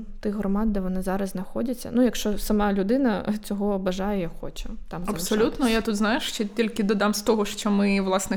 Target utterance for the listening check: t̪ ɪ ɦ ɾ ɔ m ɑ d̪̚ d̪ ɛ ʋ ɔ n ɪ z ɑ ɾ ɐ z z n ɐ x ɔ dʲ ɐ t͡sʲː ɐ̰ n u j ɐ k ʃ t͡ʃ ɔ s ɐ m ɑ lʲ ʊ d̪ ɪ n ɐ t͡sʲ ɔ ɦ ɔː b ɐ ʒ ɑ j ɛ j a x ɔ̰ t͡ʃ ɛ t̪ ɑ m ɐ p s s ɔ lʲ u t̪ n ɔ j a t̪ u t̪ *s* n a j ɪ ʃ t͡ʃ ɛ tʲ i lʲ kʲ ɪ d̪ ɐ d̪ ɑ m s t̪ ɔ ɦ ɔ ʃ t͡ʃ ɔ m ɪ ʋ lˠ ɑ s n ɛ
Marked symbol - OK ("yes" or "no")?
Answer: no